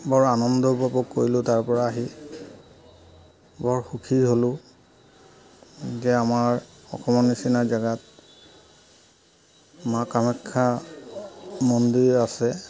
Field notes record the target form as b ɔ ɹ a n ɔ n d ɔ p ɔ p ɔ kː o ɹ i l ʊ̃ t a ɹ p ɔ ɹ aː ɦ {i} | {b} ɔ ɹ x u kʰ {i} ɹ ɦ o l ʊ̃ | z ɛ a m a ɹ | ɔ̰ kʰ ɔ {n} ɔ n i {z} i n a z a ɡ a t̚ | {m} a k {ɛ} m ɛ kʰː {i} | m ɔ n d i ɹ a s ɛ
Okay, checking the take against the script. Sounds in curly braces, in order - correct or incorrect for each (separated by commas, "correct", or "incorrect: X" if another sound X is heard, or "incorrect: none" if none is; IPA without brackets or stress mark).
correct, correct, correct, incorrect: m, incorrect: s, correct, incorrect: a, incorrect: a